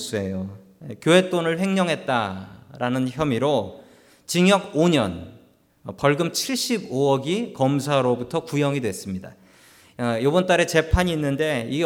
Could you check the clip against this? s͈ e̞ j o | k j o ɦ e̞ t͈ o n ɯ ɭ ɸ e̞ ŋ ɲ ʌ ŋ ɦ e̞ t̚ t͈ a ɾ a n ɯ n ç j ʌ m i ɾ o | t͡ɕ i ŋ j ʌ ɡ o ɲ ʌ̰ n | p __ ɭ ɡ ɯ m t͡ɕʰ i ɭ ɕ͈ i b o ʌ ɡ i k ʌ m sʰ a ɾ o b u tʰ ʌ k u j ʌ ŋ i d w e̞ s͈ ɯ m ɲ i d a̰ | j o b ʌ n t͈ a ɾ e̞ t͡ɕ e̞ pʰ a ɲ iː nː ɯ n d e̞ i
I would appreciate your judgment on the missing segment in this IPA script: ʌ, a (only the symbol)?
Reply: ʌ